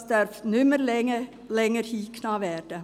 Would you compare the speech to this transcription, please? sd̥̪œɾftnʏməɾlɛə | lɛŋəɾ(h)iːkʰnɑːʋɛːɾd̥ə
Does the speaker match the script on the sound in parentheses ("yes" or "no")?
yes